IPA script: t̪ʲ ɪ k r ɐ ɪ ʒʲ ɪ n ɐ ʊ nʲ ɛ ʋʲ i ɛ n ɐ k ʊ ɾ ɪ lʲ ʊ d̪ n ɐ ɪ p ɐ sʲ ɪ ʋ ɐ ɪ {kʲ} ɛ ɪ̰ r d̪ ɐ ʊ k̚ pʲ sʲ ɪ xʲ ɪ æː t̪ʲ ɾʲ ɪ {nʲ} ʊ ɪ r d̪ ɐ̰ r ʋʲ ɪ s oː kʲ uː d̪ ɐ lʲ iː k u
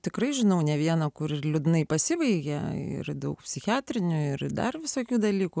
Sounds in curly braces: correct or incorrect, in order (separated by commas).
incorrect, correct